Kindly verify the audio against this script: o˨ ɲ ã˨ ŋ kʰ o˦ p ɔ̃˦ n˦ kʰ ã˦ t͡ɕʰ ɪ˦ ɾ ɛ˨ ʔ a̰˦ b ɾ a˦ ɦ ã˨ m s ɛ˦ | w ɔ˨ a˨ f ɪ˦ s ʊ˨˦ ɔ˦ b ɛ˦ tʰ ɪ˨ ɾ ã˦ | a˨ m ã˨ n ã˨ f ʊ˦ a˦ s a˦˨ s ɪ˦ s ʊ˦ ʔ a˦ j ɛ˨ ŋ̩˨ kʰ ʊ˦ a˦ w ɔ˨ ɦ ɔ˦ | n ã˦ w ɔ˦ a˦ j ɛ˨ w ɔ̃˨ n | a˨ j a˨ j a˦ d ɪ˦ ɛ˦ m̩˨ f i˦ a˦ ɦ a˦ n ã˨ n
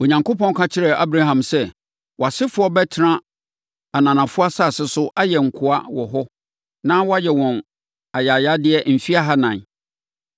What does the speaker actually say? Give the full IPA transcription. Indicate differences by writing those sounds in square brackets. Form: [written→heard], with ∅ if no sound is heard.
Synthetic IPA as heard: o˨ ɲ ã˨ ŋ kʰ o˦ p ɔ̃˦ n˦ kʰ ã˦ t͡ɕʰ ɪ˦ ɾ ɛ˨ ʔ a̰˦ b ɾ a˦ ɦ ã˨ m s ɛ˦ | w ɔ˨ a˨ [f→s] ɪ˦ [s→f] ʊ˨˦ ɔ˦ b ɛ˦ tʰ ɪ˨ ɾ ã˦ | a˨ [m→n] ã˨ n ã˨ f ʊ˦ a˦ s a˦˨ s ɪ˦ s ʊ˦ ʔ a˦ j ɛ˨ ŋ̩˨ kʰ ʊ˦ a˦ w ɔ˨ ɦ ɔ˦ | n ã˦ w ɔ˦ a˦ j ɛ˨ w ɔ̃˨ n | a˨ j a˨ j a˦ d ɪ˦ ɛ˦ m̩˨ f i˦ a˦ ɦ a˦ n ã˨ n

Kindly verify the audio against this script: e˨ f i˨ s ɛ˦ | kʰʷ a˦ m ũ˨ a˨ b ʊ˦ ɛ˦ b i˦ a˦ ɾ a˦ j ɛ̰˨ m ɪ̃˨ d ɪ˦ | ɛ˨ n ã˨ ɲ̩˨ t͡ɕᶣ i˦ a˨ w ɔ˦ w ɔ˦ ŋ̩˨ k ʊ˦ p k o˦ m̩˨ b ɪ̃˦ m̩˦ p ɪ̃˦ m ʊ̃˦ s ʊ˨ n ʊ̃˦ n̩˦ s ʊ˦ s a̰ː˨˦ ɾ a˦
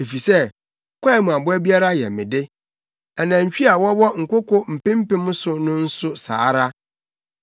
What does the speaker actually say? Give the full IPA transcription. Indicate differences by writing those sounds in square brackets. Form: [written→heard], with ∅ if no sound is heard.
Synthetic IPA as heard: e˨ f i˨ s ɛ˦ | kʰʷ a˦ m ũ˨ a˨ b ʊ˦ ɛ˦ b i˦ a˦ ɾ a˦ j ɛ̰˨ m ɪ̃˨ d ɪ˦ | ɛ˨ n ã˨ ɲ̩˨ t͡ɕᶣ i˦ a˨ w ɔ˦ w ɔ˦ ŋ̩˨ k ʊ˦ [p→∅] k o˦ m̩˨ [b→p] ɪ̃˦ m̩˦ p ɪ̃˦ m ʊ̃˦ s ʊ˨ n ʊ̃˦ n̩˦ s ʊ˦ s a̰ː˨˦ ɾ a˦

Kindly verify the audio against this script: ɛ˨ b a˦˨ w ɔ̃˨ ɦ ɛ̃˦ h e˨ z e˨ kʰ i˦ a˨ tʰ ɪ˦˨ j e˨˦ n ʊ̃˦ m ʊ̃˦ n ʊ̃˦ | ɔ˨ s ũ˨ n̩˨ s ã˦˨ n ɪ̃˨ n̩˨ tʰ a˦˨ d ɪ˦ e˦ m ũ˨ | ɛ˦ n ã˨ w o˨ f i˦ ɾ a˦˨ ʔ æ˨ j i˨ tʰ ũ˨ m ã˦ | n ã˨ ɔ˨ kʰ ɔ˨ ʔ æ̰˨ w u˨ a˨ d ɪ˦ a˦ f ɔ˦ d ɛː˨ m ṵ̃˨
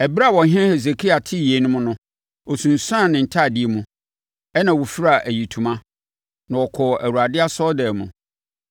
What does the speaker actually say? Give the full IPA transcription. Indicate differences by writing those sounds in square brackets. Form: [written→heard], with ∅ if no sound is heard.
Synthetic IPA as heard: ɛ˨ b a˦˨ w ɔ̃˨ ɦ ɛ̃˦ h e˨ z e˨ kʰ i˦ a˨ tʰ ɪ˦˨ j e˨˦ n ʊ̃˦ m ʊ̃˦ n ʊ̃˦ | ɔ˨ s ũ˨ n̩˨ s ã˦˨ n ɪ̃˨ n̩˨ tʰ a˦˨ d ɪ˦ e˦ m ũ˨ | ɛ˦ n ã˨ w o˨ f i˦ ɾ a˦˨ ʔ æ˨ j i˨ tʰ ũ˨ m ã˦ | n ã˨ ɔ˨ kʰ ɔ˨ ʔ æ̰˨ w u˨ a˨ d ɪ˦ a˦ [f→s] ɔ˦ d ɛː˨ m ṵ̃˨

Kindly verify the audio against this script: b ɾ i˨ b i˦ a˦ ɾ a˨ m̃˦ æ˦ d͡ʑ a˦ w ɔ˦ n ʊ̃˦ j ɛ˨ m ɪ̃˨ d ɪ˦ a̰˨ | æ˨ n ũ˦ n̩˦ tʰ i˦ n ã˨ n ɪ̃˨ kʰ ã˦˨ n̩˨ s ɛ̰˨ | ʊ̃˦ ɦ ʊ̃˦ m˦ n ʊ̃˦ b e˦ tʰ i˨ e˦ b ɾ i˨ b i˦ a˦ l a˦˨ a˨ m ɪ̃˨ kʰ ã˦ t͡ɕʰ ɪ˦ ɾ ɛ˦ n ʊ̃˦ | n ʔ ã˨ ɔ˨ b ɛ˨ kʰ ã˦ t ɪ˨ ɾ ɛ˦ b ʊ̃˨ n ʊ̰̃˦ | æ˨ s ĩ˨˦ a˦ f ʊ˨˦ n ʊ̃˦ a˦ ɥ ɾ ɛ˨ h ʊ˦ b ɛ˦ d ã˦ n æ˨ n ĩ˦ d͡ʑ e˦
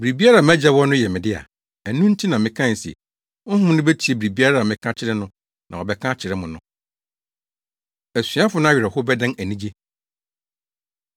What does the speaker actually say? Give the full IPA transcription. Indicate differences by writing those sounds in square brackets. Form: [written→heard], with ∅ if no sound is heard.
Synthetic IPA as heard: b ɾ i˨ b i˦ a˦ ɾ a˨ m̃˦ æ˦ d͡ʑ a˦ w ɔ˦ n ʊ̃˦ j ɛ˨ m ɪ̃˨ d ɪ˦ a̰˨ | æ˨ n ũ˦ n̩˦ tʰ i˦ n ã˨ [n→m] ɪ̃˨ kʰ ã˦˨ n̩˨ s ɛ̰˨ | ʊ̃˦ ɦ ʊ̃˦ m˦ n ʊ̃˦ b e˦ tʰ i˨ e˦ b ɾ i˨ b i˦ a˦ [l→ɾ] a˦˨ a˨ m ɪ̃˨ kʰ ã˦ t͡ɕʰ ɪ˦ ɾ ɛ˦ n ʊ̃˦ | n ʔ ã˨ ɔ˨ b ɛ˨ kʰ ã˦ [t→t͡ɕʰ] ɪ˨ ɾ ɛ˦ [b→m] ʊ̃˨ n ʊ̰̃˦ | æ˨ s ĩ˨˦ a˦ f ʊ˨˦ n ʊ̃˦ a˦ ɥ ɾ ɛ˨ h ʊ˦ b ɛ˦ d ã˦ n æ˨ n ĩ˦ d͡ʑ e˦

